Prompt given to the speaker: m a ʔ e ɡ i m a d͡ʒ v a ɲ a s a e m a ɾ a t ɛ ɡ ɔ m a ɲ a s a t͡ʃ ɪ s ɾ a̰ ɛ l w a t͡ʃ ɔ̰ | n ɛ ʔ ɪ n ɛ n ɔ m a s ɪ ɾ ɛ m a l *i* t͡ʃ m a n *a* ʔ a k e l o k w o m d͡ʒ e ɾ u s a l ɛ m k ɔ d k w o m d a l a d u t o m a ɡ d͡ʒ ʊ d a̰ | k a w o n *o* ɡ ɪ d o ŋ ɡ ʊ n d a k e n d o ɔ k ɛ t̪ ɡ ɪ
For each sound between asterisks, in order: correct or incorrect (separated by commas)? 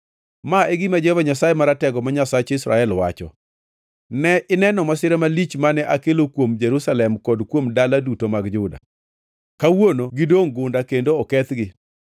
correct, incorrect, correct